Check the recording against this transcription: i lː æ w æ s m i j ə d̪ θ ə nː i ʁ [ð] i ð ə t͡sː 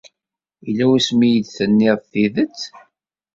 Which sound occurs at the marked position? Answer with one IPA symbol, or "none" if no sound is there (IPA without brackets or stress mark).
θ